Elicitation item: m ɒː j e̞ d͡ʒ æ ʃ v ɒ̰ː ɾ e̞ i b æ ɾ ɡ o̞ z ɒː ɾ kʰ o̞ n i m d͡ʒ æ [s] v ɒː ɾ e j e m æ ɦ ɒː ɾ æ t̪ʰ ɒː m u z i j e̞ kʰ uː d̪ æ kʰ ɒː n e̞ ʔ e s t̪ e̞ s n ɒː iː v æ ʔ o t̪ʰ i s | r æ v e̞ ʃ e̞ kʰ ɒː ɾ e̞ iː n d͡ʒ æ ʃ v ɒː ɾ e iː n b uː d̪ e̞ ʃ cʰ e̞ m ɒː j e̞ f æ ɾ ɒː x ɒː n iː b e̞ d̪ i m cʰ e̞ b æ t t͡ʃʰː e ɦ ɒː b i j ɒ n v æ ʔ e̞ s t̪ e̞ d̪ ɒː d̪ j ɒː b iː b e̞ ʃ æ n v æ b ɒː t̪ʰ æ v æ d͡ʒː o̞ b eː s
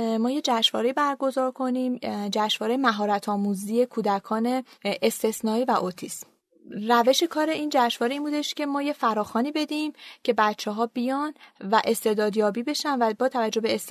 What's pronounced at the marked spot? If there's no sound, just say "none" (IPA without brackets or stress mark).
ʃ